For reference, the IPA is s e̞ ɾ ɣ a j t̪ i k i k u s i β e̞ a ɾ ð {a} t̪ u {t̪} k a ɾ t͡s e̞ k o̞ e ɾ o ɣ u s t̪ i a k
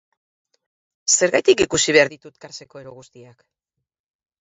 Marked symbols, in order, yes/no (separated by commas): no, yes